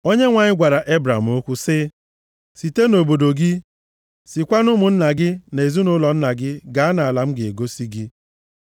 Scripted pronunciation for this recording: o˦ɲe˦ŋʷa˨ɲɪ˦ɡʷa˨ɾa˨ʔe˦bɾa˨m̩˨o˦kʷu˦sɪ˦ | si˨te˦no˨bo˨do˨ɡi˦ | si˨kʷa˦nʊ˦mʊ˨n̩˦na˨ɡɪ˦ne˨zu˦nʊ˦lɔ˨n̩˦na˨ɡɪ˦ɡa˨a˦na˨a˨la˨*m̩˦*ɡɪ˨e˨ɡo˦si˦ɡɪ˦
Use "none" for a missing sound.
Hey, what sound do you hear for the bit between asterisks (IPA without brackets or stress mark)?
m̩˦